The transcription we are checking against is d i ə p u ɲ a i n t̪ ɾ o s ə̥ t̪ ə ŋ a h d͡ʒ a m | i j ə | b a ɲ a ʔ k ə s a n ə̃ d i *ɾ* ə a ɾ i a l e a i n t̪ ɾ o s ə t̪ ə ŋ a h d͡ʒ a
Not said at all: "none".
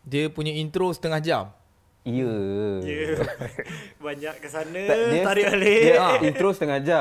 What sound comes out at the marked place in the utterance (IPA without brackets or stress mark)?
none